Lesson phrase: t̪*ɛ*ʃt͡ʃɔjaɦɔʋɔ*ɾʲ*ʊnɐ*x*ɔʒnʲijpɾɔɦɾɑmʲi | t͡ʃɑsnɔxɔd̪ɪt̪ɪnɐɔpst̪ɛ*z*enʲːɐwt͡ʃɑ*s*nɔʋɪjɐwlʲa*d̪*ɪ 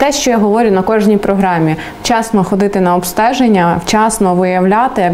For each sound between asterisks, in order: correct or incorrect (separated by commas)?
correct, correct, incorrect, incorrect, correct, incorrect